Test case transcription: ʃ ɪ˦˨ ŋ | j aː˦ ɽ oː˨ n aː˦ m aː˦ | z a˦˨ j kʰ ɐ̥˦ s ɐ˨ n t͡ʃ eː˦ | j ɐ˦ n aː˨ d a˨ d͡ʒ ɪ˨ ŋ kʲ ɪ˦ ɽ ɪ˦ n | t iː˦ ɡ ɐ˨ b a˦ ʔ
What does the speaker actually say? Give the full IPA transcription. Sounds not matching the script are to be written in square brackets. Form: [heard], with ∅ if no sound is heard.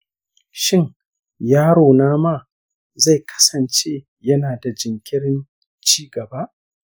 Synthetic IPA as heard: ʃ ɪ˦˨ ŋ | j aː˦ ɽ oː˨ n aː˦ m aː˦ | z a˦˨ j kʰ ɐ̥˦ s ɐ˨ n t͡ʃ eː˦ | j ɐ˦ n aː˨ d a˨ d͡ʒ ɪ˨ ŋ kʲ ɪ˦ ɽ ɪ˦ n | [t͡ʃ] iː˦ ɡ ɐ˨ b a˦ ʔ